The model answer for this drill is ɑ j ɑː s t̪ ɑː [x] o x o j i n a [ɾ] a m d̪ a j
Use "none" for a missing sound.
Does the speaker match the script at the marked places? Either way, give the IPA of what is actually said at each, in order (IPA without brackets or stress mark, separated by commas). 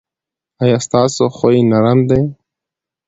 s, ɾ